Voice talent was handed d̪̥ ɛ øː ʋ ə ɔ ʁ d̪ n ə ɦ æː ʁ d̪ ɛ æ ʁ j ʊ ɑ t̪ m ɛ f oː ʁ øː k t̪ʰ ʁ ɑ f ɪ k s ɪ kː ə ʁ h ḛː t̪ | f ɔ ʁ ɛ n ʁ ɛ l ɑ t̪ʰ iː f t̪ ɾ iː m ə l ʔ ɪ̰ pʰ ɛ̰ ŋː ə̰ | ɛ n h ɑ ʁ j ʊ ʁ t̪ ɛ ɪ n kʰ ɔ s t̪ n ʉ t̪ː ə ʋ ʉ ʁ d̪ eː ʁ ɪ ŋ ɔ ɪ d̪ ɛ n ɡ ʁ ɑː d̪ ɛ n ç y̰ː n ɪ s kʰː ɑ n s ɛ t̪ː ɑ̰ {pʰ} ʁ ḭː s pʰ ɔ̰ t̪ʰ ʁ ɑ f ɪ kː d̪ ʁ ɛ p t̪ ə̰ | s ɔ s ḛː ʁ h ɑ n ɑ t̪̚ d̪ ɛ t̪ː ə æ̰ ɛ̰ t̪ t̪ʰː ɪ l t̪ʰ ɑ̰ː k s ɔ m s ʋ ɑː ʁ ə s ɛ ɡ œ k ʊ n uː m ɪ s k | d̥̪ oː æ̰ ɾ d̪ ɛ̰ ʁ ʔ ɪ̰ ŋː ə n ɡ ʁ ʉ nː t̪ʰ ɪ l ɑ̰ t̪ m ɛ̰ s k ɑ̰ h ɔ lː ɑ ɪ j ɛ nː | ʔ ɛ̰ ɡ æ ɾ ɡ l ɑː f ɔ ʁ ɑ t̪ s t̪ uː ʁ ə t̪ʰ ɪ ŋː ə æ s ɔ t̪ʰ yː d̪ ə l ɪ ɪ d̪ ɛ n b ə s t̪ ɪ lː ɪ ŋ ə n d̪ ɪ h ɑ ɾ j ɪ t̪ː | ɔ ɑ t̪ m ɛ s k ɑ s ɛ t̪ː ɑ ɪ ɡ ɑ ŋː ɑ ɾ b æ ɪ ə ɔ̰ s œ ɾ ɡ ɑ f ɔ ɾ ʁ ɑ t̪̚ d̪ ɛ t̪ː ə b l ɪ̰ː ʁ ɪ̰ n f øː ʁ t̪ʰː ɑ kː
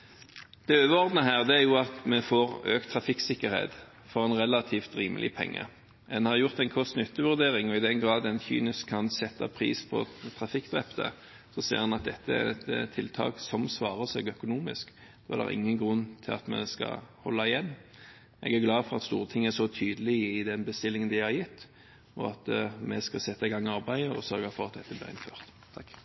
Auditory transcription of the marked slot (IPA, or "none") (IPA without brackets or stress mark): pʰ